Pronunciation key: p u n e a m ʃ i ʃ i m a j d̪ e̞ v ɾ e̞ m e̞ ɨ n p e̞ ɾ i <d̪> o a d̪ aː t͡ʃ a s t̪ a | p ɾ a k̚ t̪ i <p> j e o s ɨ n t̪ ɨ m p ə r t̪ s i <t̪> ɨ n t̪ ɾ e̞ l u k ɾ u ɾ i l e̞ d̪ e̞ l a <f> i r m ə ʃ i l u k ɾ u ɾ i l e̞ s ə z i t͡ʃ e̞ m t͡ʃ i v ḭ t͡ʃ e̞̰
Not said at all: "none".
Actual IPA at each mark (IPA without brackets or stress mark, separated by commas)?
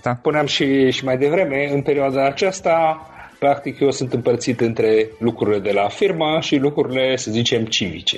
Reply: none, k, t̪, f